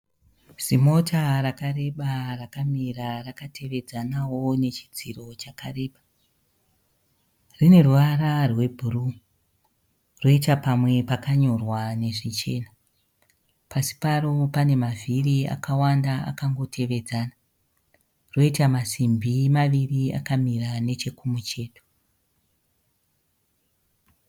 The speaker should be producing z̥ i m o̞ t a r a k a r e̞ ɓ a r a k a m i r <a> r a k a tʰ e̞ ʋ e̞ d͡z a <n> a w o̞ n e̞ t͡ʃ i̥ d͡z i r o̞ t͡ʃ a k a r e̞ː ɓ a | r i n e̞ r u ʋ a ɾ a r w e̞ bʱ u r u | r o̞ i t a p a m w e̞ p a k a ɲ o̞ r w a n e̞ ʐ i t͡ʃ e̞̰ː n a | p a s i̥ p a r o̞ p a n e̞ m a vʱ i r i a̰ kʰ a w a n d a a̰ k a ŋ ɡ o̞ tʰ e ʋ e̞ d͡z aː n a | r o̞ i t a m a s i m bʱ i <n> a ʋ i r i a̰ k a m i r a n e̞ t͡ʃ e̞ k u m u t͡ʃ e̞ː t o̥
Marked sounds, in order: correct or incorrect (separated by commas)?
correct, correct, incorrect